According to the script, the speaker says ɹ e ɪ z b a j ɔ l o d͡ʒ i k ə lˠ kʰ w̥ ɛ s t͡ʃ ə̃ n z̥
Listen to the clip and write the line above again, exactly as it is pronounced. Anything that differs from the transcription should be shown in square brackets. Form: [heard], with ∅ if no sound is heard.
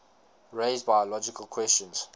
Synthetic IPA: ɹ e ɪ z b a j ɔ l [ɔ] d͡ʒ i k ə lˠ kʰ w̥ ɛ s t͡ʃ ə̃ n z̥